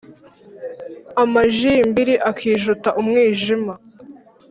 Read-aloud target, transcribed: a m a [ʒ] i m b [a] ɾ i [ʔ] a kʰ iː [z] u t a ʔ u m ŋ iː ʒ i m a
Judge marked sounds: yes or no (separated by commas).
yes, no, yes, no